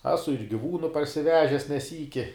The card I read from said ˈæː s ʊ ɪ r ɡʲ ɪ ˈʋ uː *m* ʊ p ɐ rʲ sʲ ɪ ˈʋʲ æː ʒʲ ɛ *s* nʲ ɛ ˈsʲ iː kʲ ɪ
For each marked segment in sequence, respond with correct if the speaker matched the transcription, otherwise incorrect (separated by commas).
incorrect, correct